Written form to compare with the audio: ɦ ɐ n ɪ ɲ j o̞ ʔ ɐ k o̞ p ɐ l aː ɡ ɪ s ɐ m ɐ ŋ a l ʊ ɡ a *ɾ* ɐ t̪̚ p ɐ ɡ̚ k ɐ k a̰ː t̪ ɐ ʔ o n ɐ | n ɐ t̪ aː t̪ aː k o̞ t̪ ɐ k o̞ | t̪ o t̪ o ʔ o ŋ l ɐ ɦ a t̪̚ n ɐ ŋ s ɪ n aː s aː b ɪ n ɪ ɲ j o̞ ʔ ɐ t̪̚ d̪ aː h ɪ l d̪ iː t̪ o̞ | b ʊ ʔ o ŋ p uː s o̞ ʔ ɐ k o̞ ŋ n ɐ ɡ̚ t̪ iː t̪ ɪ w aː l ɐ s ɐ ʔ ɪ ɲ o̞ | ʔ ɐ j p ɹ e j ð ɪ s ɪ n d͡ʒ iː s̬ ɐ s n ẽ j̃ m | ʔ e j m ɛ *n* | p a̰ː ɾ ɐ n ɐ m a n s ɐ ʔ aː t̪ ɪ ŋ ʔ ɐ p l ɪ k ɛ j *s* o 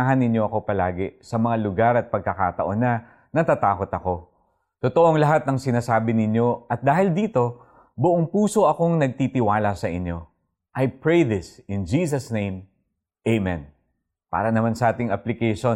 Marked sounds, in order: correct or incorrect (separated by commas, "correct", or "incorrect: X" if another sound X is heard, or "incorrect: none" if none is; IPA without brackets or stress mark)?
correct, correct, incorrect: ʃ